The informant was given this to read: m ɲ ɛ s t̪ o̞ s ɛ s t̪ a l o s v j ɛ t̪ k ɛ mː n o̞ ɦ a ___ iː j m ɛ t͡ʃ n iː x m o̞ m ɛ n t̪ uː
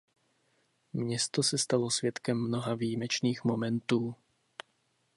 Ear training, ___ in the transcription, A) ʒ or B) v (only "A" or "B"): B